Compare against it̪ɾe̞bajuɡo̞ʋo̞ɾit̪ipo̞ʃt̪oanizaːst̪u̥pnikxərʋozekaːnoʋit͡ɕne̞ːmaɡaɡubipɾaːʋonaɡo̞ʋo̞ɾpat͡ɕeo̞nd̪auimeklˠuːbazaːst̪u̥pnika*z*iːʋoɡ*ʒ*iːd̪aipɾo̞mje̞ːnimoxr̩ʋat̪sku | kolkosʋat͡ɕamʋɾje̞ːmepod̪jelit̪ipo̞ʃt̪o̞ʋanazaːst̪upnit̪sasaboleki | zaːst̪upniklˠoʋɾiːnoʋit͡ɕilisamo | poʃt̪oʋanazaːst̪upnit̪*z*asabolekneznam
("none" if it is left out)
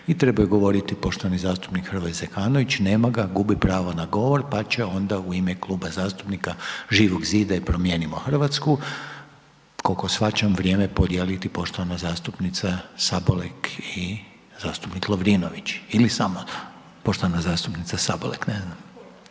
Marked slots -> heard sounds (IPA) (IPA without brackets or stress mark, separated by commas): ʒ, z, s